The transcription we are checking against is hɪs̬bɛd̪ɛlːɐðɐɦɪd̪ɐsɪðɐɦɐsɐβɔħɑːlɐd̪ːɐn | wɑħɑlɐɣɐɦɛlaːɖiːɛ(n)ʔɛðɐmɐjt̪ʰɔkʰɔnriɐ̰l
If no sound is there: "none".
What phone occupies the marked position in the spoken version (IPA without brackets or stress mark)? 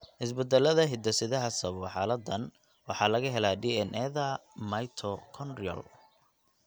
n